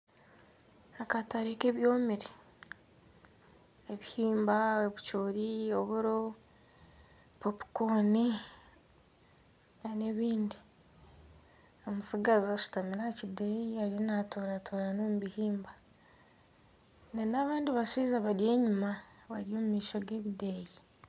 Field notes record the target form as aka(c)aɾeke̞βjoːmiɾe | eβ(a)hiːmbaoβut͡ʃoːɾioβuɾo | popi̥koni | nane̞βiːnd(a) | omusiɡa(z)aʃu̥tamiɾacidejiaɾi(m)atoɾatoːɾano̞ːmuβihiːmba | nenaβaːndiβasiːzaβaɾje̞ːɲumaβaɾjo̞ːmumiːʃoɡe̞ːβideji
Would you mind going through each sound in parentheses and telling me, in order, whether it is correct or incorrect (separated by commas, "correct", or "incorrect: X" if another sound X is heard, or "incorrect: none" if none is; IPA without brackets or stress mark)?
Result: incorrect: t, incorrect: i, incorrect: i, correct, incorrect: n